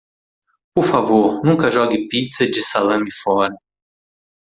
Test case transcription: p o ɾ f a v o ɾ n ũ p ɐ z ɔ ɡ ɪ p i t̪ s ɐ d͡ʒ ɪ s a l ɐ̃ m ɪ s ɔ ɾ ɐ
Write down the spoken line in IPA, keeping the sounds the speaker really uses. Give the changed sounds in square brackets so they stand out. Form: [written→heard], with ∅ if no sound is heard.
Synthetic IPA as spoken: p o ɾ f a v o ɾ n ũ [p→k] ɐ [z→ʒ] ɔ ɡ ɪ p i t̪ s ɐ d͡ʒ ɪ s a l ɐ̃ m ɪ [s→f] ɔ ɾ ɐ